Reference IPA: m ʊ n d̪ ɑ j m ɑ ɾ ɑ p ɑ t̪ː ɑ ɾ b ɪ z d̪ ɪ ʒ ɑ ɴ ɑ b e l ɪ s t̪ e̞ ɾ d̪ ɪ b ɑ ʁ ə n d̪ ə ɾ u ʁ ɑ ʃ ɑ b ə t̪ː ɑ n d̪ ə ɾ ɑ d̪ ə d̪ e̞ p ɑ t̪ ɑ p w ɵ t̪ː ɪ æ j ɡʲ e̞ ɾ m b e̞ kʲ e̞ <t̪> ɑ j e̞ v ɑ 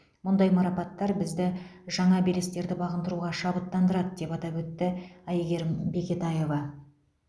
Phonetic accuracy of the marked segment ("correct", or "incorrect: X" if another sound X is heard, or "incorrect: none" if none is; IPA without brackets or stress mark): correct